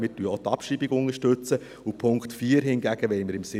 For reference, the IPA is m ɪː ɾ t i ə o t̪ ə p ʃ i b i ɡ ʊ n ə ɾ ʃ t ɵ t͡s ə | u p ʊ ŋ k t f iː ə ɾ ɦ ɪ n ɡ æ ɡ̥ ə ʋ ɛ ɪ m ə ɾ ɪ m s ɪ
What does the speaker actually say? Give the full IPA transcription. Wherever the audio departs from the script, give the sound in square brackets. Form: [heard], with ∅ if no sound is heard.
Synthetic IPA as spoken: m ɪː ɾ t [y] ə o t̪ [ɑ] p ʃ i b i ɡ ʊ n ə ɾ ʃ t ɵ t͡s ə | u [pʰ] ʊ ŋ k t f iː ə ɾ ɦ ɪ n ɡ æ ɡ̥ ə ʋ ɛ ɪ m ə ɾ ɪ m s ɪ